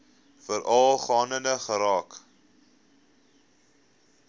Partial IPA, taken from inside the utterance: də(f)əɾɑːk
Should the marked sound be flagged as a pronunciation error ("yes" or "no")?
yes